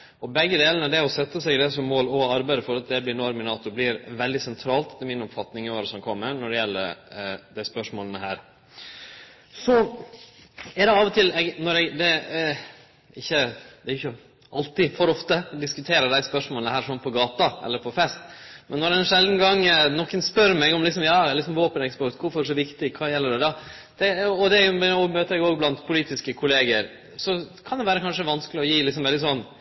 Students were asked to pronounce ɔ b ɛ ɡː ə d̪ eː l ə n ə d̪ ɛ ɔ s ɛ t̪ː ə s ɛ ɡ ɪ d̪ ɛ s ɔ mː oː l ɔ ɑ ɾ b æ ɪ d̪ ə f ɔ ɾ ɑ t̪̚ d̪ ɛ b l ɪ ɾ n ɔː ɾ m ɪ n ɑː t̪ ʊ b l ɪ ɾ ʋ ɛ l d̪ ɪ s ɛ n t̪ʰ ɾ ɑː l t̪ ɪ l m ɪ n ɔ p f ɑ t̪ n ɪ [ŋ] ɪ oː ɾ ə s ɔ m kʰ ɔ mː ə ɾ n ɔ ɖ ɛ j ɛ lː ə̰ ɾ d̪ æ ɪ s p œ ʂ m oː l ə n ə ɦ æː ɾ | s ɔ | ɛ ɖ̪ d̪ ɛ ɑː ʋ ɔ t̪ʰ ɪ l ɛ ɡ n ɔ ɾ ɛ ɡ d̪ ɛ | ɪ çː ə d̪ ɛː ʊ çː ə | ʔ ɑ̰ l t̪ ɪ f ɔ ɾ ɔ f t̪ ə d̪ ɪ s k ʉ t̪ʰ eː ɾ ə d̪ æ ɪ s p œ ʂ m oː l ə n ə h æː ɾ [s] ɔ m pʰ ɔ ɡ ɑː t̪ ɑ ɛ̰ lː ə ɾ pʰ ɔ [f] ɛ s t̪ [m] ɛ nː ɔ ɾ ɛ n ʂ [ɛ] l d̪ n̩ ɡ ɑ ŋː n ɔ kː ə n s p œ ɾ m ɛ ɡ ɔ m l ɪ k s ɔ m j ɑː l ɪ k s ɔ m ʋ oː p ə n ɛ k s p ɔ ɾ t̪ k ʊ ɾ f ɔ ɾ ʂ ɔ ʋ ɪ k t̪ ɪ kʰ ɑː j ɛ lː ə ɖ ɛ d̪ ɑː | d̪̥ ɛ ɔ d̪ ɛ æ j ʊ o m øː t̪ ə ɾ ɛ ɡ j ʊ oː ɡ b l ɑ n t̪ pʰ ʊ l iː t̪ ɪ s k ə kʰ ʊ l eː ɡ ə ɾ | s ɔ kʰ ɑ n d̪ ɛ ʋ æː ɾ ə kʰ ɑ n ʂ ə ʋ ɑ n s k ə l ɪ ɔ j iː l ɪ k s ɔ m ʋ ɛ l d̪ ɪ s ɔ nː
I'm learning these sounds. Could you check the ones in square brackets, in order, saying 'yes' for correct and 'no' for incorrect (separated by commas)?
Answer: yes, no, yes, yes, yes